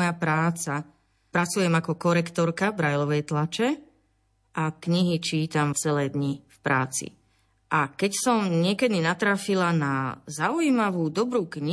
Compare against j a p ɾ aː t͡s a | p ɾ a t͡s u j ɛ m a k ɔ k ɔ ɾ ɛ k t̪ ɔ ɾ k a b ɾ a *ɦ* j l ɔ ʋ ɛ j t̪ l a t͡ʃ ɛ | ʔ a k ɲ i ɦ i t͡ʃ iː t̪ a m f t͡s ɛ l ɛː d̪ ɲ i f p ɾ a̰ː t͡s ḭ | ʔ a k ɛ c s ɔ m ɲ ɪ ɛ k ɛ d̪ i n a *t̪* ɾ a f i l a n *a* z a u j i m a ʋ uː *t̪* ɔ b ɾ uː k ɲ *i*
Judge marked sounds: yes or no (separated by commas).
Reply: no, yes, yes, no, yes